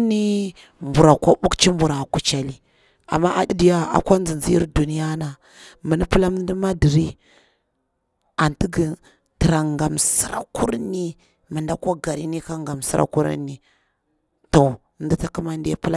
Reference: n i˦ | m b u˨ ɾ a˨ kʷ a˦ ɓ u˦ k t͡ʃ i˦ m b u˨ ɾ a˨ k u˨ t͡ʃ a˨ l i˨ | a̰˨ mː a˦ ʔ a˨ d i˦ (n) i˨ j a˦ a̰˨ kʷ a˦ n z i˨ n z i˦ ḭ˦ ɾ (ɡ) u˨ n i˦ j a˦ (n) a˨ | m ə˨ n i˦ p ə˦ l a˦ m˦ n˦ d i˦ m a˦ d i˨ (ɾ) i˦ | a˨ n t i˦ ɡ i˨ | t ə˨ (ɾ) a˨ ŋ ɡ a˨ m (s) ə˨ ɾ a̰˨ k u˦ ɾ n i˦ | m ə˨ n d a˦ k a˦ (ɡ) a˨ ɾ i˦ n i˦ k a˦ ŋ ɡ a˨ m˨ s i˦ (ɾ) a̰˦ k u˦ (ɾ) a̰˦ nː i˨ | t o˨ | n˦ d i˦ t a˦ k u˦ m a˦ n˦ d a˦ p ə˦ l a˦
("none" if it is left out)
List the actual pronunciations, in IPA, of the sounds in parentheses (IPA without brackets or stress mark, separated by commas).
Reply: d, d, n, ɾ, ɾ, s, ɡ, ɾ, ɾ